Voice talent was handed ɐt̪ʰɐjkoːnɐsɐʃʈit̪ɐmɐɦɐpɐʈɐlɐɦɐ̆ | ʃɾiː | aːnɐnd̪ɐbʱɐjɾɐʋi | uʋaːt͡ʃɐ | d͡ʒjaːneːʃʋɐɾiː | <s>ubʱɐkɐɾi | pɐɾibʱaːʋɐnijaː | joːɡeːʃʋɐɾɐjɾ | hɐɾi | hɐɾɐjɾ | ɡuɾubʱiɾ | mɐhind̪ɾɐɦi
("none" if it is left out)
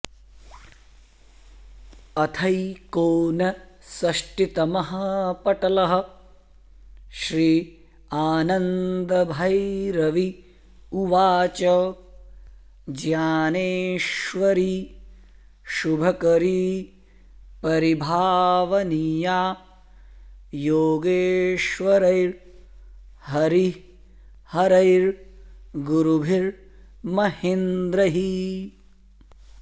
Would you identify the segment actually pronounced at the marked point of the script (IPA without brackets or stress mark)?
ʃ